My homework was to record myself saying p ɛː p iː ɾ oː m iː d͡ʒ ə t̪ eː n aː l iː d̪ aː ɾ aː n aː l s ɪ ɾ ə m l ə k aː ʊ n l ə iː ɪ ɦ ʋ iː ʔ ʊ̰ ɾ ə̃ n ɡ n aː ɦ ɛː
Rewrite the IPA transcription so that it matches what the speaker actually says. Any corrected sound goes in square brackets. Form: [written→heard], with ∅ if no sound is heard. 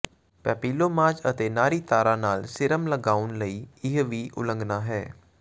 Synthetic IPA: p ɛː p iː [ɾ→l] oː m [iː→aː] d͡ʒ ə t̪ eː n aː [l→ɾ] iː [d̪→t̪] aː ɾ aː n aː l s ɪ ɾ ə m l ə [k→ɡ] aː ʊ n l ə iː ɪ ɦ ʋ iː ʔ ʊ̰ [ɾ→l] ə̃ [n→ŋ] ɡ n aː ɦ ɛː